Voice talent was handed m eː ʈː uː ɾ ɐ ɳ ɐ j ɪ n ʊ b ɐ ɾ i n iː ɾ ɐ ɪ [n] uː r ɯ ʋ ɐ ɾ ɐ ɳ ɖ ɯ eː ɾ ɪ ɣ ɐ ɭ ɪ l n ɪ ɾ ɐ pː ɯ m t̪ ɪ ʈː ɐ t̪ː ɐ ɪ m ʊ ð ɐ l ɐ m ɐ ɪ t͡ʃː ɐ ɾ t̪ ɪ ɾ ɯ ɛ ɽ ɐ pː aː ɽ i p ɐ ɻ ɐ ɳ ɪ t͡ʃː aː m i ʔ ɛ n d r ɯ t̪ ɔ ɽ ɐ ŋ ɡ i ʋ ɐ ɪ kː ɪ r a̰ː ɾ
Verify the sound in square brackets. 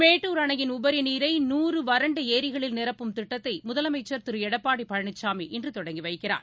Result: correct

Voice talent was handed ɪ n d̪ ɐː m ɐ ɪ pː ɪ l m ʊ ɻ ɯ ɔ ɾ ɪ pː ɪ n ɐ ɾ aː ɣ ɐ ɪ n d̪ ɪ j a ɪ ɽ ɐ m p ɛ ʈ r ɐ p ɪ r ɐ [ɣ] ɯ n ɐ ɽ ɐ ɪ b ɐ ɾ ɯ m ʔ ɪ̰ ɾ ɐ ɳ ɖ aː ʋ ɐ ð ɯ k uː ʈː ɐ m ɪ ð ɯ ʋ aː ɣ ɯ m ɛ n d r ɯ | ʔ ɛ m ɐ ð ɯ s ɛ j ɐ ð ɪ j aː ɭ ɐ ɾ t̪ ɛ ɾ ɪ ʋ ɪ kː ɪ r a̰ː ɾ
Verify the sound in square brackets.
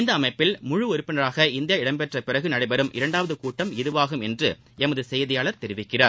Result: correct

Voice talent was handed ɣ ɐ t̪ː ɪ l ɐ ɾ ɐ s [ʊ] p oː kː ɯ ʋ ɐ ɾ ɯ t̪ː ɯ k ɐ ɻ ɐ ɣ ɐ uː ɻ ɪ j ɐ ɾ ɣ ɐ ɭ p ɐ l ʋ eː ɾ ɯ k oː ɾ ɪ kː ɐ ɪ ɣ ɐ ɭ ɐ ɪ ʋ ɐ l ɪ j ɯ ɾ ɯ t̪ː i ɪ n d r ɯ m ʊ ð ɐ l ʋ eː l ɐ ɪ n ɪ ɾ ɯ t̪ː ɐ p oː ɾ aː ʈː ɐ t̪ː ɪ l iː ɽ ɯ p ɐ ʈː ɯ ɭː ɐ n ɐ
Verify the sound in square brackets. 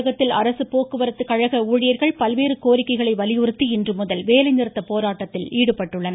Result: incorrect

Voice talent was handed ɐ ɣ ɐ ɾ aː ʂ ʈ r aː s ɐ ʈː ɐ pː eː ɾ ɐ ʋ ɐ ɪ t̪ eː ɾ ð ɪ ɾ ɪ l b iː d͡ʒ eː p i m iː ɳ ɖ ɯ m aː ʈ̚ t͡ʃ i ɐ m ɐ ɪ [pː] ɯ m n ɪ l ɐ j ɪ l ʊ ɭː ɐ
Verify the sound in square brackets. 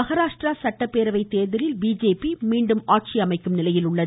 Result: incorrect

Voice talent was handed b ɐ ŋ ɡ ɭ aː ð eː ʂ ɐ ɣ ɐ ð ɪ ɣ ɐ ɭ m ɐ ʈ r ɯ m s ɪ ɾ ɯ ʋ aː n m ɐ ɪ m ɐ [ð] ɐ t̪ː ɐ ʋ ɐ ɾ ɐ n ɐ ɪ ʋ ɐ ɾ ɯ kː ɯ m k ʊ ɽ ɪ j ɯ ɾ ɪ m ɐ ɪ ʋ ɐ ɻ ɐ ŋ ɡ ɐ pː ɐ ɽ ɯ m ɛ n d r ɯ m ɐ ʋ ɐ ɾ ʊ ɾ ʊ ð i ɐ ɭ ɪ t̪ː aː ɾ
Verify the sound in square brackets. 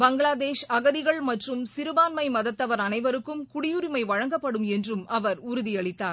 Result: correct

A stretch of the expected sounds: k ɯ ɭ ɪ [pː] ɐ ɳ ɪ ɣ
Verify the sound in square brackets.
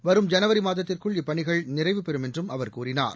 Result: correct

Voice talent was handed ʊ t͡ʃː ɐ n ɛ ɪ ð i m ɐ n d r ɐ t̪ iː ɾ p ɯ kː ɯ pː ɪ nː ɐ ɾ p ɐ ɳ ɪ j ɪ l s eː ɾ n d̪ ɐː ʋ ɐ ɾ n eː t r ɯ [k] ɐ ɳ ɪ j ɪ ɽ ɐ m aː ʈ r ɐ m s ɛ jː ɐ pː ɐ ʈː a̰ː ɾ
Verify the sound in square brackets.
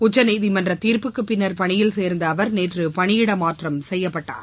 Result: incorrect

